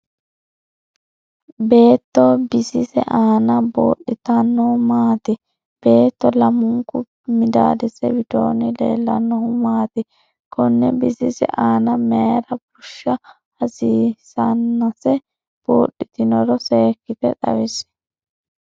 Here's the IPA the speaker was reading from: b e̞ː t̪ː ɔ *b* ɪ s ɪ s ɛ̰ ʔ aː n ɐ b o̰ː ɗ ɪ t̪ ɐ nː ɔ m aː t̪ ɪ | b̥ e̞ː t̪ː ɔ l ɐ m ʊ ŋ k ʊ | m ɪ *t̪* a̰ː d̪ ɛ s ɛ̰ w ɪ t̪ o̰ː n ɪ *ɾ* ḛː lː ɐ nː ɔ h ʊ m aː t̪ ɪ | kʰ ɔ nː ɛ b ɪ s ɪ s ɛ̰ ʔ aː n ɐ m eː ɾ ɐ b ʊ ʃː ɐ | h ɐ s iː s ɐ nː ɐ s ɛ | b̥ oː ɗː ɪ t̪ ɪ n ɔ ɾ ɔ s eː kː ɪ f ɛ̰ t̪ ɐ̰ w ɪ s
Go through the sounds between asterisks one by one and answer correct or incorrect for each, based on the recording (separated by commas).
correct, incorrect, incorrect